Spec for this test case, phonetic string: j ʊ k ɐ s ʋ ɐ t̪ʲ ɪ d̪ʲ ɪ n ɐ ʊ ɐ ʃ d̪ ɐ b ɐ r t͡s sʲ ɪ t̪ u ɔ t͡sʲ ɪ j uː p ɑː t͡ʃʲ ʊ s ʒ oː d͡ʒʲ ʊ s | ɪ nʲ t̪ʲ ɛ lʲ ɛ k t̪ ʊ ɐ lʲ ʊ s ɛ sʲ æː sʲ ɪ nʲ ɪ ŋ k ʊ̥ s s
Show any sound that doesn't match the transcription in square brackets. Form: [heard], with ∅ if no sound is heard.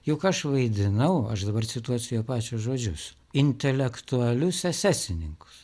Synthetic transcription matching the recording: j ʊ k ɐ [ʃ] ʋ ɐ [∅] ɪ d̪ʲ ɪ n ɐ ʊ ɐ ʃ d̪ ɐ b ɐ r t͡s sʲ ɪ t̪ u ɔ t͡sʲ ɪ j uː p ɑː t͡ʃʲ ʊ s ʒ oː d͡ʒʲ ʊ s | ɪ nʲ t̪ʲ ɛ lʲ ɛ k t̪ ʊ ɐ lʲ ʊ s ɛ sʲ æː sʲ ɪ nʲ ɪ ŋ k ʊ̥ s s